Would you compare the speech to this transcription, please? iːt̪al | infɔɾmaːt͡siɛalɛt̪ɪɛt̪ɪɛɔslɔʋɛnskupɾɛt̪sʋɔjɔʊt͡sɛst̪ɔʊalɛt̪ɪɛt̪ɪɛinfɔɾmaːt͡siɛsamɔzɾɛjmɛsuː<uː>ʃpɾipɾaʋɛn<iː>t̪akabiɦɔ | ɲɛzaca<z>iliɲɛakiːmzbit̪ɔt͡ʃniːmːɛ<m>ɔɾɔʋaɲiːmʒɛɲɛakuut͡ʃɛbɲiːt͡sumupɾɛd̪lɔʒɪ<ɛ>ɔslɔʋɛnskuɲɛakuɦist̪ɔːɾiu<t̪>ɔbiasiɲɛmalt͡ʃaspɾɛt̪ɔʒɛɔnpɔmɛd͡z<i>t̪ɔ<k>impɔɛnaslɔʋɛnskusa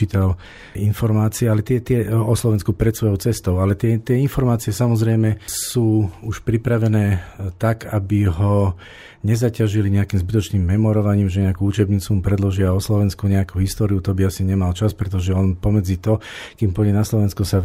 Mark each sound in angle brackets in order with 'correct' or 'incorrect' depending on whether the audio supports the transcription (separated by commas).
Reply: incorrect, incorrect, incorrect, correct, incorrect, correct, correct, correct